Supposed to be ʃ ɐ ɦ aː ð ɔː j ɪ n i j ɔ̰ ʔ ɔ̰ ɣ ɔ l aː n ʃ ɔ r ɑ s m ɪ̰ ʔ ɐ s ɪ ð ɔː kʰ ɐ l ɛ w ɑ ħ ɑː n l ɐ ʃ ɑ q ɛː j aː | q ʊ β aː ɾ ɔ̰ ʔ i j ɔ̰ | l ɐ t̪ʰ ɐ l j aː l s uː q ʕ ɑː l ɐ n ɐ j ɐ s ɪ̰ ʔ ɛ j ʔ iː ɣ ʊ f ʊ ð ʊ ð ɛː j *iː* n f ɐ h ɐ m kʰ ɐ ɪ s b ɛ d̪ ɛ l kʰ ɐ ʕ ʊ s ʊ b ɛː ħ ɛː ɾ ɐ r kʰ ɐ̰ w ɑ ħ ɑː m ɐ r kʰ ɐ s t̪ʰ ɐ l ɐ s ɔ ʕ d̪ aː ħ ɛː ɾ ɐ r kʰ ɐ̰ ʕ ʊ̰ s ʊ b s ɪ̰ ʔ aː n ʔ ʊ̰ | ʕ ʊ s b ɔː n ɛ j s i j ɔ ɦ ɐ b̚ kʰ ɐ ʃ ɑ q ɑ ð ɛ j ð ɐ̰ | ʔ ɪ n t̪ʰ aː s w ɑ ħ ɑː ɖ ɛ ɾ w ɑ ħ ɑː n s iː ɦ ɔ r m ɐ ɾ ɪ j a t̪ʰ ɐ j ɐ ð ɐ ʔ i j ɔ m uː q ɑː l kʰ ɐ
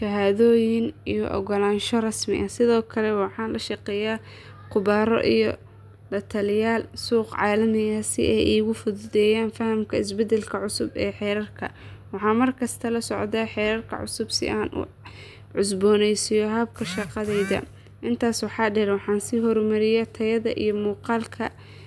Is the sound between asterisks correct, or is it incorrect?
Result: incorrect